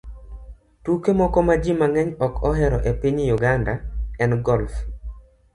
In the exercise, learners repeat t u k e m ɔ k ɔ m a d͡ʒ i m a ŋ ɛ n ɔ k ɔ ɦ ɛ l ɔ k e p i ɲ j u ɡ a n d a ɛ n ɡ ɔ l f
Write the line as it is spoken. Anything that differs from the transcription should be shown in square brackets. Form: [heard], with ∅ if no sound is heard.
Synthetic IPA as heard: t u k e m ɔ k ɔ m a d͡ʒ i m a ŋ ɛ [ɲ] ɔ k ɔ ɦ ɛ [ɾ] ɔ [ʔ] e p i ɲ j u ɡ a n d a ɛ n ɡ ɔ l f